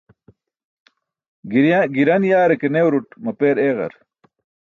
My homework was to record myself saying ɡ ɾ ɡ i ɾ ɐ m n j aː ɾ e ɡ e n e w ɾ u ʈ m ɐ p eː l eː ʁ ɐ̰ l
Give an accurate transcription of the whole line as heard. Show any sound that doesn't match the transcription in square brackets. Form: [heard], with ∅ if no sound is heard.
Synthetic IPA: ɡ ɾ ɡ i ɾ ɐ [∅] n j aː ɾ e [k] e n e w ɾ u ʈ m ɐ p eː [ɾ] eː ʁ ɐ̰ [ɾ]